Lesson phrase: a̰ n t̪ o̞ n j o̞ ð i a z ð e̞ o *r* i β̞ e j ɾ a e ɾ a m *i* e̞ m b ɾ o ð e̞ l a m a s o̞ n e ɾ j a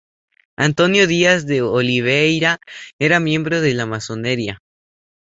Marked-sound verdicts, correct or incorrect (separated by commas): incorrect, incorrect